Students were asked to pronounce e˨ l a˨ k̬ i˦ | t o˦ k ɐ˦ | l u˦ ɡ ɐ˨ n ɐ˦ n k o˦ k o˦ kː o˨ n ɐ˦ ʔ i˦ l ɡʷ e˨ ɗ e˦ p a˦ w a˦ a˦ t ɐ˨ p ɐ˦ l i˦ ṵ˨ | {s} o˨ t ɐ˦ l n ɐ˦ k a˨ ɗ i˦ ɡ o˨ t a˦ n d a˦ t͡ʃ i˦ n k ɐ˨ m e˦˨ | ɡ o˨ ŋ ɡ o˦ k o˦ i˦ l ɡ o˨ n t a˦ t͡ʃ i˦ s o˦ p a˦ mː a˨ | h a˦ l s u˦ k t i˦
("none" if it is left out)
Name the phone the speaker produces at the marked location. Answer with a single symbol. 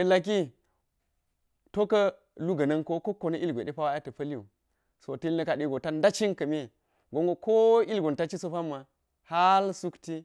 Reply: s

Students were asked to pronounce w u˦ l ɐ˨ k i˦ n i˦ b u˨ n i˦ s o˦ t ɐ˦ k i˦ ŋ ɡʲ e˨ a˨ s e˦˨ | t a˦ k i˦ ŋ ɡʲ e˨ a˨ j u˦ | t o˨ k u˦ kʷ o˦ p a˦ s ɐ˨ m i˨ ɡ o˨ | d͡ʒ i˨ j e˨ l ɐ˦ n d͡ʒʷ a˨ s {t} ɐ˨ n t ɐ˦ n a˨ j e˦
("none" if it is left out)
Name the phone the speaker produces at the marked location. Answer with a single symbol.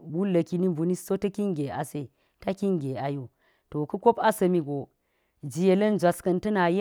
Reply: k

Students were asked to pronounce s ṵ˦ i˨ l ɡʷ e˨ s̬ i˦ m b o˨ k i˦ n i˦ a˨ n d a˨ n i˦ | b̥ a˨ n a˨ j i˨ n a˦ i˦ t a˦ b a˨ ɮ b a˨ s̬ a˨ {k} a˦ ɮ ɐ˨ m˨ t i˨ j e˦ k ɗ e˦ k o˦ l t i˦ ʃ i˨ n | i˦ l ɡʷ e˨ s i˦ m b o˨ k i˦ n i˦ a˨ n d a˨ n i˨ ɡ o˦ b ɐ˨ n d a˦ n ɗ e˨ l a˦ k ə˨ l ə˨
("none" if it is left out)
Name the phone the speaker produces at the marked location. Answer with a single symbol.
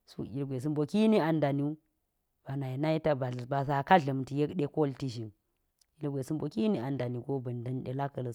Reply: k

